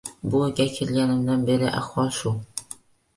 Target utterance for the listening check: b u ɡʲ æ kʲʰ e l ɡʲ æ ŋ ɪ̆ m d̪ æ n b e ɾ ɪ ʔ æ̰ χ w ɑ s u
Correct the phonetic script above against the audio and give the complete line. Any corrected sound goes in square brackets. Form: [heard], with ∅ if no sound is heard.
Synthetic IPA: b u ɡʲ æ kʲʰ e l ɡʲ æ [n] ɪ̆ m d̪ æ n b e ɾ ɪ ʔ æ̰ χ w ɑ [ʃ] u